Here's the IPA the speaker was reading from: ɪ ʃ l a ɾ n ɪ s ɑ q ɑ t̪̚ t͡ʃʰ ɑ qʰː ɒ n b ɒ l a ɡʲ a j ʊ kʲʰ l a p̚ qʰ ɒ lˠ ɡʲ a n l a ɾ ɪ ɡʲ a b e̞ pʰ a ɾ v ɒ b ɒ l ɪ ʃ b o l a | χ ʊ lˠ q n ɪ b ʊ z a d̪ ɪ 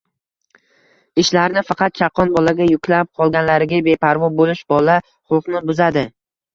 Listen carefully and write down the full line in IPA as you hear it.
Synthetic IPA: ɪ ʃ l a ɾ n ɪ f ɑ q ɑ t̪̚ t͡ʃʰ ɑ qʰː ɒ n b ɒ l a ɡʲ a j ʊ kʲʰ l a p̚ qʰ ɒ lˠ ɡʲ a n l a ɾ ɪ ɡʲ a b e̞ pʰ a ɾ v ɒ b o l ɪ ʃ b ɒ l a | χ ʊ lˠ q n ɪ b ʊ z a d̪ ɪ